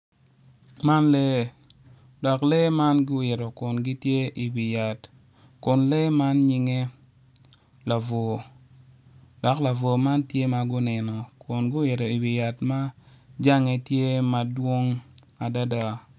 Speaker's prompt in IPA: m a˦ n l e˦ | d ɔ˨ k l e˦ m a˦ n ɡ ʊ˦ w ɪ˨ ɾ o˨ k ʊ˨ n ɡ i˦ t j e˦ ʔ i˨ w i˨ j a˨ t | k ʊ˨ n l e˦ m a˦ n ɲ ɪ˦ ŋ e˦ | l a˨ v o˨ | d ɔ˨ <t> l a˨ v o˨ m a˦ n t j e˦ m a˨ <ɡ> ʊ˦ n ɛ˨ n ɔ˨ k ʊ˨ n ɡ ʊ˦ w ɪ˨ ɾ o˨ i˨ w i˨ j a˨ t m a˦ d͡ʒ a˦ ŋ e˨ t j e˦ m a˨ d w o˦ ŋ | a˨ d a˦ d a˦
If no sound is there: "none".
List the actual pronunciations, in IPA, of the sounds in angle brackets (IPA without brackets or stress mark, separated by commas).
k, ɡ